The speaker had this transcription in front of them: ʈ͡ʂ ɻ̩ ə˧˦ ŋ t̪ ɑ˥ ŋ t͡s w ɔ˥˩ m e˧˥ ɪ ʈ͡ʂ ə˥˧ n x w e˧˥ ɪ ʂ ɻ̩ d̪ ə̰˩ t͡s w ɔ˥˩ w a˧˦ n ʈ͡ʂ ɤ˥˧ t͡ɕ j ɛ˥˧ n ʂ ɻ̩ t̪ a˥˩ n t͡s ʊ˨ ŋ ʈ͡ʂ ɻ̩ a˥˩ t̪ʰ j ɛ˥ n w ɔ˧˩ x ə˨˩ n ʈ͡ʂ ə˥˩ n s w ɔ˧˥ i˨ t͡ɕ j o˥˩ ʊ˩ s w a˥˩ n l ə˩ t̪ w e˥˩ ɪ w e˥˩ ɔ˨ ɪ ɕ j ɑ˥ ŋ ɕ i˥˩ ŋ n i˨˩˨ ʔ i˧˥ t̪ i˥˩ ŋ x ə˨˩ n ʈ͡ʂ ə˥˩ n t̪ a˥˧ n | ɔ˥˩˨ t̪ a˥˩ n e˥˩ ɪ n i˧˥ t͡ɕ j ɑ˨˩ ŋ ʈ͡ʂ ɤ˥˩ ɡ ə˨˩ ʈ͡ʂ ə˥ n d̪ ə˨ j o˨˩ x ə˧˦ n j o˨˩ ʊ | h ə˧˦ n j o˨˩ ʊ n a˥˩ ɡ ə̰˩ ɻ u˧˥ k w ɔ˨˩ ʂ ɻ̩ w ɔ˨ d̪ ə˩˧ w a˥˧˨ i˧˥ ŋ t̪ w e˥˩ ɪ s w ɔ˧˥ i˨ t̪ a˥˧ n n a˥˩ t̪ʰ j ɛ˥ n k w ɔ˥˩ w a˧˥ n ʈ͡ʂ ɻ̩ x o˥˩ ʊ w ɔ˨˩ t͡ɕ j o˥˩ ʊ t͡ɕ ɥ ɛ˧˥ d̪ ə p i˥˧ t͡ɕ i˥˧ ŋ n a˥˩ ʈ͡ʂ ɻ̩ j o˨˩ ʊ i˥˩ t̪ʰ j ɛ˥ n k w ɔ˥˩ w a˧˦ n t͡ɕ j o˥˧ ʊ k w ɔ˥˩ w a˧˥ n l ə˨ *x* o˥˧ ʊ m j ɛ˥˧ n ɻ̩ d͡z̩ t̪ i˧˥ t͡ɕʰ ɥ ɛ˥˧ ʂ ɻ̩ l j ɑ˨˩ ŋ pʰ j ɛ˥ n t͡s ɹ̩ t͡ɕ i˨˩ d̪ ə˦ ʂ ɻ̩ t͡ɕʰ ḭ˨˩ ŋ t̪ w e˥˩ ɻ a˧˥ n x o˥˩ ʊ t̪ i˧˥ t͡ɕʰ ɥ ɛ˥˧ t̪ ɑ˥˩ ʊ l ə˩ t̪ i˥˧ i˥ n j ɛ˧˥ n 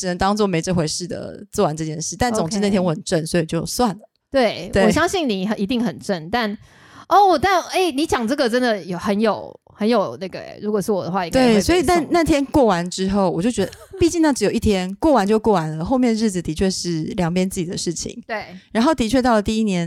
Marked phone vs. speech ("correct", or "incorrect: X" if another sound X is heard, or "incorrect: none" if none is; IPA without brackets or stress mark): correct